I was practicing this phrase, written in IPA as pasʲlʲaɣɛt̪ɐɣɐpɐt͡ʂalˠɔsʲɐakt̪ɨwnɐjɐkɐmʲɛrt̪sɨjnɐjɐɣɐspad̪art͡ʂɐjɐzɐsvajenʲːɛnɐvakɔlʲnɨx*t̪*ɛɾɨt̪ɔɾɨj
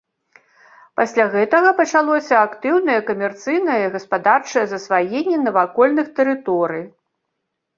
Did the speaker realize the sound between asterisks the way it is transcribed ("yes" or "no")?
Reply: yes